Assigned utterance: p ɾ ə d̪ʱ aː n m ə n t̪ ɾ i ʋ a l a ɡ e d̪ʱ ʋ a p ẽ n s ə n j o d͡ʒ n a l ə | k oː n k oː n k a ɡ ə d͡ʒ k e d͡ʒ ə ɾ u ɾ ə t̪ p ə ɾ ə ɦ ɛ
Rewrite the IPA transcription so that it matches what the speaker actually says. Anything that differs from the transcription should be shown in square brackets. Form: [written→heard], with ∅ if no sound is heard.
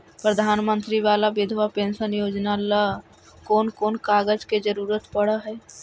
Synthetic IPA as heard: p ɾ ə d̪ʱ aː n m ə n t̪ ɾ i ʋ a l a [ɡ→b] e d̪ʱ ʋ a p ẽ n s ə n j o d͡ʒ n a l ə | k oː n k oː n k a ɡ ə d͡ʒ k e d͡ʒ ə ɾ u ɾ ə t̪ p ə [ɾ→ɽ] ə ɦ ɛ